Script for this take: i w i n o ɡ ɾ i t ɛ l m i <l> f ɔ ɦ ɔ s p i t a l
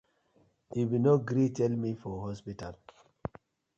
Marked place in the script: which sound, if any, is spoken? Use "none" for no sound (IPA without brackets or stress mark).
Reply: none